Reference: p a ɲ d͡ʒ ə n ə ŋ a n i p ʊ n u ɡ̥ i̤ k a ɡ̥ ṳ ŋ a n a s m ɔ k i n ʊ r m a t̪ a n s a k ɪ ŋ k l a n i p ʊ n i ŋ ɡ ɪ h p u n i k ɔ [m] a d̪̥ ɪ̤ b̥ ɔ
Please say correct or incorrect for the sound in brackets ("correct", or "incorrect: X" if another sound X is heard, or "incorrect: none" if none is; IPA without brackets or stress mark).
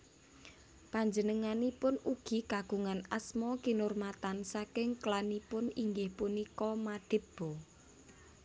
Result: correct